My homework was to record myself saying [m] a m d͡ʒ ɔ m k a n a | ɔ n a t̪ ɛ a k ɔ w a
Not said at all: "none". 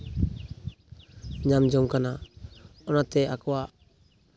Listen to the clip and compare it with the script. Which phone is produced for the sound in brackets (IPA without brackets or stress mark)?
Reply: ɲ